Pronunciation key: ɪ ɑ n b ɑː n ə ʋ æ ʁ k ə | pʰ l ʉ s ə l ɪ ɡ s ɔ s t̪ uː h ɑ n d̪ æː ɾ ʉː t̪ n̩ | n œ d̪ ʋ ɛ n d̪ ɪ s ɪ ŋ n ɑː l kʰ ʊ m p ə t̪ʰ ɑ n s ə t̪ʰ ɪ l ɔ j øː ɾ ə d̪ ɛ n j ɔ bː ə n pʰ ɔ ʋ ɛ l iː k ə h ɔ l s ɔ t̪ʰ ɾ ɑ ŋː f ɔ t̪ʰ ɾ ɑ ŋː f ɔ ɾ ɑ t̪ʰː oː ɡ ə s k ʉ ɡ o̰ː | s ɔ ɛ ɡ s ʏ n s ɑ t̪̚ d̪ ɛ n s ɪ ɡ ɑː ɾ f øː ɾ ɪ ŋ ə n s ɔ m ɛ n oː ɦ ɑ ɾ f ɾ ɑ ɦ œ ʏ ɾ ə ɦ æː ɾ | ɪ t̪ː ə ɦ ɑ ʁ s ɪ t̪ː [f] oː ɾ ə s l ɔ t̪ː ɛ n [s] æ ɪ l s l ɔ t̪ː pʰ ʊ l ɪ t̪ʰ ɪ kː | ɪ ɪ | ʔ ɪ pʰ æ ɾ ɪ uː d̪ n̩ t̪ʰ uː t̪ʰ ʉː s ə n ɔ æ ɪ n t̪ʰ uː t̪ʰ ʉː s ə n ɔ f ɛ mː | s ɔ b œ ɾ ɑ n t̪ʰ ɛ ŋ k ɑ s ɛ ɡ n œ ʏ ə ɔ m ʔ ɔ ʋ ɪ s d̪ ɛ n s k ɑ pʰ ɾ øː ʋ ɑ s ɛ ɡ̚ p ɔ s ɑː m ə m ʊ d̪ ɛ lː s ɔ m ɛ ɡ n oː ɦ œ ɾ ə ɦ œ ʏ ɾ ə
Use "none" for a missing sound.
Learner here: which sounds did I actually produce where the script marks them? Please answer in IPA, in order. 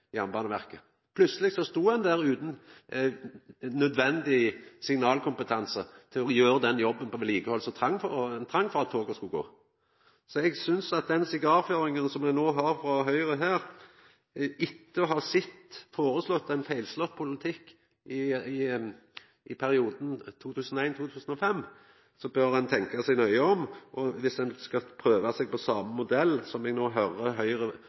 f, f

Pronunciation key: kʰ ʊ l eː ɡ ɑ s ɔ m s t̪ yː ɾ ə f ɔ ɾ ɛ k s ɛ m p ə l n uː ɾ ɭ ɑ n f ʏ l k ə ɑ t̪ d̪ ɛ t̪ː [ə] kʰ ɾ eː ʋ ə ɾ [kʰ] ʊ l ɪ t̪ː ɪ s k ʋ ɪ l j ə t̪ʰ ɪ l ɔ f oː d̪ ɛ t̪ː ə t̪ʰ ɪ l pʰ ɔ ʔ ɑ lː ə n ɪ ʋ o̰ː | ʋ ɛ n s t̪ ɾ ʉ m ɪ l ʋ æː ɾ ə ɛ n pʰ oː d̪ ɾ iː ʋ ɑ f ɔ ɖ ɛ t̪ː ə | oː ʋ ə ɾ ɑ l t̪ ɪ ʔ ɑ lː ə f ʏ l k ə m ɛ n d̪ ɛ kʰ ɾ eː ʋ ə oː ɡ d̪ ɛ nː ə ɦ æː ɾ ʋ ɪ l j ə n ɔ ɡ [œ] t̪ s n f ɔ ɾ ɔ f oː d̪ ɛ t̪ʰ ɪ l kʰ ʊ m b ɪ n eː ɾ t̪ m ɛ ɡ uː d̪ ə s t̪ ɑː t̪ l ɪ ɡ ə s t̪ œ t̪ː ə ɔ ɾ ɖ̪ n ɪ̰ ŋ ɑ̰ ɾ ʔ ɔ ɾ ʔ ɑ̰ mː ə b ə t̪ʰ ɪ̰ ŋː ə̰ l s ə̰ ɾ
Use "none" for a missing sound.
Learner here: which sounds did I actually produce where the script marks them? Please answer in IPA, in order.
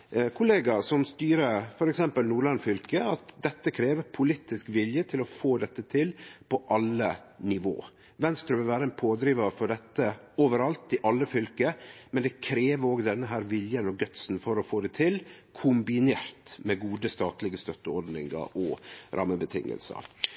ə, pʰ, œ

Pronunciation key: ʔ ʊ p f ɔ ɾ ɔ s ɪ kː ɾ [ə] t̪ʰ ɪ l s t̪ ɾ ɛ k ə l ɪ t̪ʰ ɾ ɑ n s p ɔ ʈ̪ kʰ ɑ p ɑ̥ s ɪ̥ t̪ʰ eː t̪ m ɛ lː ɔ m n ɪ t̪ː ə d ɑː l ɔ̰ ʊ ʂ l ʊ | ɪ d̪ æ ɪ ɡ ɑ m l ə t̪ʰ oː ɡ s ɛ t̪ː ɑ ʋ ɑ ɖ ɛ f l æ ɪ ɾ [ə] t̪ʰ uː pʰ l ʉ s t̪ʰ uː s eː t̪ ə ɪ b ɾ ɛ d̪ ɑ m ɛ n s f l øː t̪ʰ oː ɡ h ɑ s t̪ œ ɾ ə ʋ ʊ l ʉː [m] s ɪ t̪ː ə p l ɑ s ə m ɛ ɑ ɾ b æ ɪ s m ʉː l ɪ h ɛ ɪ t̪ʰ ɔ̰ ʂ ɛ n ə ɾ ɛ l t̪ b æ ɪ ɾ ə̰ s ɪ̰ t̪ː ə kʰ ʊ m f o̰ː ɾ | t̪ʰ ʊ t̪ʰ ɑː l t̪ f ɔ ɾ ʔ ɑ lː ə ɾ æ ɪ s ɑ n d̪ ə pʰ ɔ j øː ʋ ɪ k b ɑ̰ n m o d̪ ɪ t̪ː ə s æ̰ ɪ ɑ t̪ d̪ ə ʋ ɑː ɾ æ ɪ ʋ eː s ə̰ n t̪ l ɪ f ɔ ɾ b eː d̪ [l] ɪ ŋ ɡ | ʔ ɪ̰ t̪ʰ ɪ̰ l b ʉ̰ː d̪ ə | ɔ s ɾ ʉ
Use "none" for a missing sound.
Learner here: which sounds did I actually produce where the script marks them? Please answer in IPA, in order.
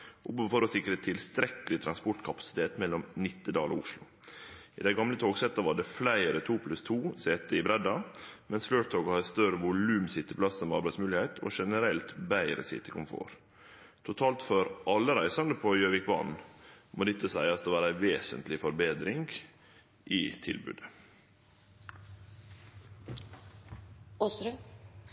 ə, ə, m, ɾ

